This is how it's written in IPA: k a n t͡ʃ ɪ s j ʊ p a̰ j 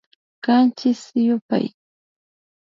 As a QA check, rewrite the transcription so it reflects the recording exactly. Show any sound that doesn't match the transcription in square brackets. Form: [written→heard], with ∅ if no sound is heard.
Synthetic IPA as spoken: k a n t͡ʃ ɪ s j ʊ p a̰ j